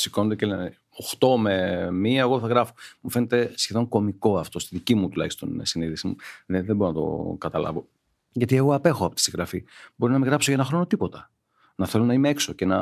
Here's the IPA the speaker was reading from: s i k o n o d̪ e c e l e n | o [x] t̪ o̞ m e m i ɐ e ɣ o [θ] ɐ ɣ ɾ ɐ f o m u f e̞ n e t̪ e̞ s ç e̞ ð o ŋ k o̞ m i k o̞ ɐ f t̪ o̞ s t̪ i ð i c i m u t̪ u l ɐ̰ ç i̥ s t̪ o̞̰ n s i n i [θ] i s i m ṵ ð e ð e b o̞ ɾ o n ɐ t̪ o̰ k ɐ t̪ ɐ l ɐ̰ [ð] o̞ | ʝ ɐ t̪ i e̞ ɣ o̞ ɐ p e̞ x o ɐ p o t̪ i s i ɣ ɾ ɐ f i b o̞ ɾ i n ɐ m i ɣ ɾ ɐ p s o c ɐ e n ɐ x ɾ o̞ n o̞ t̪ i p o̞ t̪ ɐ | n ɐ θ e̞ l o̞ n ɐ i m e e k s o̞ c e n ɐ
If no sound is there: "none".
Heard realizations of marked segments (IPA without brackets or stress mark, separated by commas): x, θ, ð, v